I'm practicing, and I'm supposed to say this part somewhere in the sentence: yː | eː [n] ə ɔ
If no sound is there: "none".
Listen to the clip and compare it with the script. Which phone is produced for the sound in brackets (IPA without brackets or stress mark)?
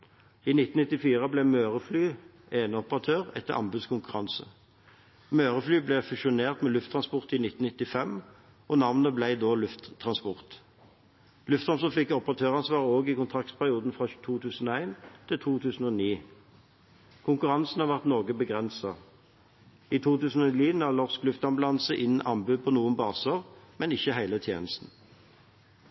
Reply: n